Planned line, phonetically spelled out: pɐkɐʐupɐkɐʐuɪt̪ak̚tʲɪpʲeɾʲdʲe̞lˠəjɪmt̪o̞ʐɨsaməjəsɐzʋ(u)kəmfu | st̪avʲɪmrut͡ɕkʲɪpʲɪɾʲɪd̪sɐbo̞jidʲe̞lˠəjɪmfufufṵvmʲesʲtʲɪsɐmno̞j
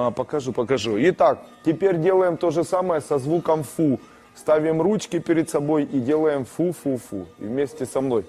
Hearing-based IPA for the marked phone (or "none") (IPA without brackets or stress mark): u